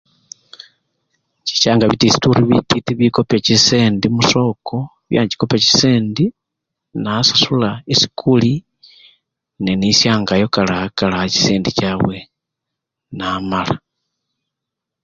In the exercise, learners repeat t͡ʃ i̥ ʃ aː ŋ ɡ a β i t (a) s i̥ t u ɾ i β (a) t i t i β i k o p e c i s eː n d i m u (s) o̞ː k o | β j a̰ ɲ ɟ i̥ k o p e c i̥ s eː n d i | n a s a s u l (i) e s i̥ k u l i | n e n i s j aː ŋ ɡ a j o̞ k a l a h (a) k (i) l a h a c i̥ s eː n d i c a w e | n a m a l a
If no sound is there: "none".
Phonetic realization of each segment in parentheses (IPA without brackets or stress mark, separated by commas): i, i, s, a, a, a